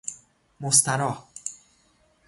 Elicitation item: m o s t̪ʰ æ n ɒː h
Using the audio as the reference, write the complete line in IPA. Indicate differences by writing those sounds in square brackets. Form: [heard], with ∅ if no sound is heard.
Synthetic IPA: m o s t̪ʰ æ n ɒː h